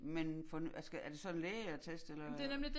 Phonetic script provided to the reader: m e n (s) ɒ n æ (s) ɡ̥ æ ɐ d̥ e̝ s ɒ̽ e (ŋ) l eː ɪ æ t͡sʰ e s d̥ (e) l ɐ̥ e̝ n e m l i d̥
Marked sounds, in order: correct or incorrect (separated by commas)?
incorrect, correct, incorrect, correct